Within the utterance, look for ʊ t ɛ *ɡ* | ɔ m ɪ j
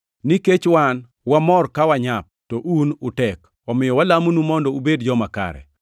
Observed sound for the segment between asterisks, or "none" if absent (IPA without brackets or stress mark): k